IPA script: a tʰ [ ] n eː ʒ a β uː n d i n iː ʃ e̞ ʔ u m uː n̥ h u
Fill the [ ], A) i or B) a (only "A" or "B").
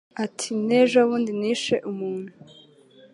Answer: A